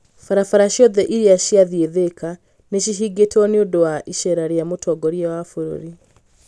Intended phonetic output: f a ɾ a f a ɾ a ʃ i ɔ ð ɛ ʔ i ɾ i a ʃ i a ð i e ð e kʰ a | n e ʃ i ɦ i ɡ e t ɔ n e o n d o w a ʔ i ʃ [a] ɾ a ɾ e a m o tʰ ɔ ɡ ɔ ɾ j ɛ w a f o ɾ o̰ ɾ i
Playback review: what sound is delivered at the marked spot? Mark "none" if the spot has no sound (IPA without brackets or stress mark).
ɛ